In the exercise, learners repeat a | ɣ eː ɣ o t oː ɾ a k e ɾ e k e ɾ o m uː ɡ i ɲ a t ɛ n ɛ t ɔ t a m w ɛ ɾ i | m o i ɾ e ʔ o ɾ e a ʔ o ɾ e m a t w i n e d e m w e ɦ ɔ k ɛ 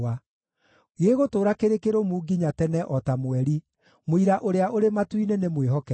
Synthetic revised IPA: a | ɣ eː ɣ o t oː ɾ a k e ɾ e k e ɾ o m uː ɡ i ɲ a t ɛ n ɛ ʔ ɔ t a m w ɛ ɾ i | m o i ɾ a ʔ o ɾ e a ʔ o ɾ e m a t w i n e n e m w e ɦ ɔ k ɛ